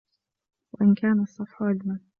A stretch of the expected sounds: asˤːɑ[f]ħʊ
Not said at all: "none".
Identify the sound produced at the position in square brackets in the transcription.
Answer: f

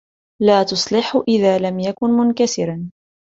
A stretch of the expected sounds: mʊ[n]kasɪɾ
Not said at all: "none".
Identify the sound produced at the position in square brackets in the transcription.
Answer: n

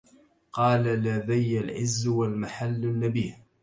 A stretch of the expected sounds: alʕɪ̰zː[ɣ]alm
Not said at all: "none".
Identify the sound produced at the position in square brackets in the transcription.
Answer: w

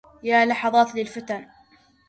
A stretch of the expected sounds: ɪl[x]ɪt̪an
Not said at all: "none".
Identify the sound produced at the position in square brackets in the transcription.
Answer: f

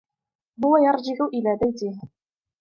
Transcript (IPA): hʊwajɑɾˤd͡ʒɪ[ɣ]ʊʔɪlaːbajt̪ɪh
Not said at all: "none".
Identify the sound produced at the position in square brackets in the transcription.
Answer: ʕ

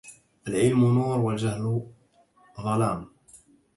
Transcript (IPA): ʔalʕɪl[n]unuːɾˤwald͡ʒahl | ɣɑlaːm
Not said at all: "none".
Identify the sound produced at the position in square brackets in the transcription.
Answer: m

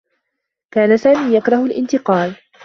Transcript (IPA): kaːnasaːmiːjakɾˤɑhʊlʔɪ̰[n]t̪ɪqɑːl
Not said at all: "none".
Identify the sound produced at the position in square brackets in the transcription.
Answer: n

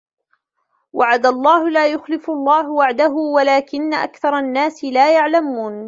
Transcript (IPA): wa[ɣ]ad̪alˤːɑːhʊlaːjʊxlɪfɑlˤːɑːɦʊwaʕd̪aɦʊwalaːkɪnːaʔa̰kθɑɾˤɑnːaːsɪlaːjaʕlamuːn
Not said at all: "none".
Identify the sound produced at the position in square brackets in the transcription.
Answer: ʕ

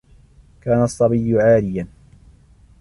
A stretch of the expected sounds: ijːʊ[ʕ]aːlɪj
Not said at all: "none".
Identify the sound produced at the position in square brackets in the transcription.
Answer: ʕ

